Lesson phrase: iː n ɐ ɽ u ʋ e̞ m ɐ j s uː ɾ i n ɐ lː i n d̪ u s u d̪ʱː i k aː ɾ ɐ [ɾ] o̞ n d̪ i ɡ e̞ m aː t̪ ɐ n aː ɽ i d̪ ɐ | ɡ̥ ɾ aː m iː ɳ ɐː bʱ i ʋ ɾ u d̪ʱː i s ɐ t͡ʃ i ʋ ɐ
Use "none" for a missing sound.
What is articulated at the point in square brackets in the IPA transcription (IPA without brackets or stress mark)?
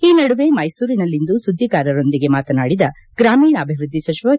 ɾ